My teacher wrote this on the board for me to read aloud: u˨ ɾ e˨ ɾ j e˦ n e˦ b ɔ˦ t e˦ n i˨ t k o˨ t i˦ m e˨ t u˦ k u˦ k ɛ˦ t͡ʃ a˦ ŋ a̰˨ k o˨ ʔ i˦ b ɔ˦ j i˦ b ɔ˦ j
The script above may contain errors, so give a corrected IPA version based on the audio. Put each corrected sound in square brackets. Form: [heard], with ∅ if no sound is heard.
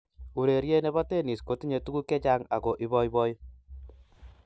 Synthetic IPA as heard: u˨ ɾ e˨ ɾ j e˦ n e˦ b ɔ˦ t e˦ n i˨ [s] k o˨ t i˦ [ɲ] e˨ t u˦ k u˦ k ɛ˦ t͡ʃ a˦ ŋ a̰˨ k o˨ ʔ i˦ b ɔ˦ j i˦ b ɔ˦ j